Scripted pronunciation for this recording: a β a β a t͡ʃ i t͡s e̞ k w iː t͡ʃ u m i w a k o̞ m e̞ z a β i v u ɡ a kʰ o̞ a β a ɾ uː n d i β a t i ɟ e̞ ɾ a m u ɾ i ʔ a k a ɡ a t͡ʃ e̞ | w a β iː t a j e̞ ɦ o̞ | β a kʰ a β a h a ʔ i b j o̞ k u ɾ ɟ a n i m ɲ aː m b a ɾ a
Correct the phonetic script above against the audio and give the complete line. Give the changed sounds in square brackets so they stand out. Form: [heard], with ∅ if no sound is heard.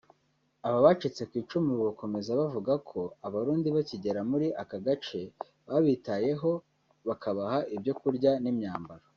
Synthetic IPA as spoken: a β a β a t͡ʃ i t͡s e̞ k w iː t͡ʃ u m i [β] a k o̞ m e̞ z a β [a] v u ɡ a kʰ o̞ a β a ɾ uː n d i β a [c] i ɟ e̞ ɾ a m u ɾ i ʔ a k a ɡ a t͡ʃ e̞ | [β] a β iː t a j e̞ ɦ o̞ | β a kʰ a β a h a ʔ i b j o̞ k u ɾ ɟ a n i m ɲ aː m b a ɾ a